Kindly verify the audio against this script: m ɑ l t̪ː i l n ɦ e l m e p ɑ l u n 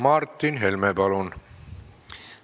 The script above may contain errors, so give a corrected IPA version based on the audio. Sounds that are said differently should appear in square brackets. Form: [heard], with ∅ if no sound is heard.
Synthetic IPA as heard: m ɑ [r] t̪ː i [∅] n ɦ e l m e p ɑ l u n